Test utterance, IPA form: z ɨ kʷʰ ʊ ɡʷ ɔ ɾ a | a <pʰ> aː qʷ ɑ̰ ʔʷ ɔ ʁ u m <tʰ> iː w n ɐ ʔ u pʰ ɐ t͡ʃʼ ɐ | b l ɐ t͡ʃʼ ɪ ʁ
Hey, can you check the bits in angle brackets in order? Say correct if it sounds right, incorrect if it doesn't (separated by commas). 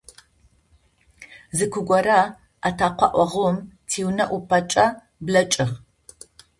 incorrect, correct